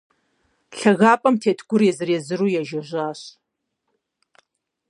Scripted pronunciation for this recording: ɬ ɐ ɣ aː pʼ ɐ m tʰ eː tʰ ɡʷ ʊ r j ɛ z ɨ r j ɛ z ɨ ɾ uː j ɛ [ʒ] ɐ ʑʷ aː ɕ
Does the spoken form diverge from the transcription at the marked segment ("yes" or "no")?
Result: no